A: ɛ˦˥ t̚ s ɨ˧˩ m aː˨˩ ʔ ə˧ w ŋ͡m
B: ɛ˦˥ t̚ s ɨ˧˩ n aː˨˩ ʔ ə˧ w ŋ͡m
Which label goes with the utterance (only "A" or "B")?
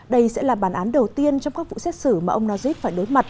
A